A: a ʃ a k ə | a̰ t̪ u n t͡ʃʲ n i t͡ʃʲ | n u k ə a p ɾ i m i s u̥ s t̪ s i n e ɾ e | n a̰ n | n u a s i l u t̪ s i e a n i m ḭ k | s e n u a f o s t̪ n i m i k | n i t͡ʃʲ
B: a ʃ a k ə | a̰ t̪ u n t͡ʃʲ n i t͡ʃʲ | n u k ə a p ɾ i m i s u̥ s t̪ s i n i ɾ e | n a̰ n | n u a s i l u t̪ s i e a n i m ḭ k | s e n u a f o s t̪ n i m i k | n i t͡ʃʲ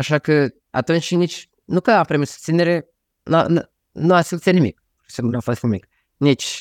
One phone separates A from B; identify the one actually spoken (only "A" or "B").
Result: A